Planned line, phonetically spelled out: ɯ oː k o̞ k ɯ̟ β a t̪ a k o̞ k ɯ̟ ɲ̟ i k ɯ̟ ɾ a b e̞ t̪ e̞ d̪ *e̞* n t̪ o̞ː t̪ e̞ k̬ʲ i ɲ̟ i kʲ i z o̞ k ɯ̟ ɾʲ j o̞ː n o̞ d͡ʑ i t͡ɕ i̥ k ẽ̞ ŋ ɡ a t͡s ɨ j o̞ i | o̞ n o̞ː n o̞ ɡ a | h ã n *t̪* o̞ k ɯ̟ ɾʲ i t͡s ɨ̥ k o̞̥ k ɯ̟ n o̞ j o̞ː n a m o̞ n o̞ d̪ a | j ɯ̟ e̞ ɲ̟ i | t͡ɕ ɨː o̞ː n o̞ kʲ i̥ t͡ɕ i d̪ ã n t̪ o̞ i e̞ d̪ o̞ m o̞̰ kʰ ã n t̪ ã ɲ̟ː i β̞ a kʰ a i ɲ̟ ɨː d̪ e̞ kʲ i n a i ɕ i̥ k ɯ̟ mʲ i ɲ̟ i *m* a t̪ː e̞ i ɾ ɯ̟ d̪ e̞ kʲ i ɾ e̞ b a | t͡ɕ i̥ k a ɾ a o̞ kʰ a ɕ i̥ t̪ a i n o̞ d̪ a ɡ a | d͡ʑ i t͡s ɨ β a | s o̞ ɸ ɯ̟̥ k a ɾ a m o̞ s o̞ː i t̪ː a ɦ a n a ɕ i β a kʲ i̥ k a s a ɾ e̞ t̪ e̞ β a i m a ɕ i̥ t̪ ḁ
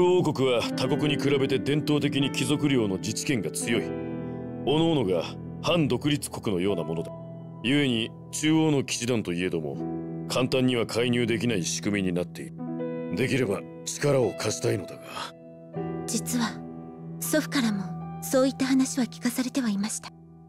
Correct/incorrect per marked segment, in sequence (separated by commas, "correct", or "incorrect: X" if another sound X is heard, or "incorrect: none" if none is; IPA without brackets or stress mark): incorrect: ẽ̞, incorrect: d̪, incorrect: n